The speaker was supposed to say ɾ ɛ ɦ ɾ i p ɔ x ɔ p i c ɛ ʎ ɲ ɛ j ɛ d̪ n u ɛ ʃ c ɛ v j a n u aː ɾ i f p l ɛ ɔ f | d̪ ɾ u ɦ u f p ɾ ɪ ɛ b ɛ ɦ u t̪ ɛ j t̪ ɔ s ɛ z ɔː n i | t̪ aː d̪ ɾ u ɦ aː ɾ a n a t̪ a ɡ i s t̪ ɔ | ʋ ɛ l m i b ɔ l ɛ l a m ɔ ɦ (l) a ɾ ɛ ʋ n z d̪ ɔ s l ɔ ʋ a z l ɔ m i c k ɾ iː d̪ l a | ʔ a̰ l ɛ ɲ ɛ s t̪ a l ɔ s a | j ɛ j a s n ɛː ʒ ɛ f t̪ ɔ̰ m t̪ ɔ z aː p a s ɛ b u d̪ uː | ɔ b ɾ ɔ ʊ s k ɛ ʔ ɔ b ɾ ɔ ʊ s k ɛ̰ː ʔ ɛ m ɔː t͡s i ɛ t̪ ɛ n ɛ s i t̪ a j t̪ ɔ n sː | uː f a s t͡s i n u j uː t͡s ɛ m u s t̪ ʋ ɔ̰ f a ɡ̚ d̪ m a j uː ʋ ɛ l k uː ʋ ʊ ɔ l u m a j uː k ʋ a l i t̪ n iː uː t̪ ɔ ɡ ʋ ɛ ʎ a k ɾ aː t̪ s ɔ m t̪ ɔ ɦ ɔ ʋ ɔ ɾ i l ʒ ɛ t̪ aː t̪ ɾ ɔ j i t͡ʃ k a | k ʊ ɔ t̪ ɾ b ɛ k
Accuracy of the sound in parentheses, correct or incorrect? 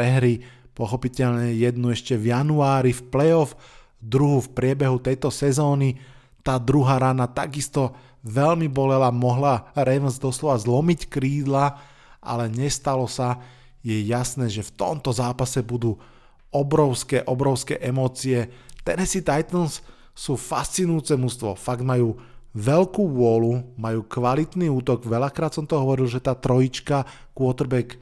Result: correct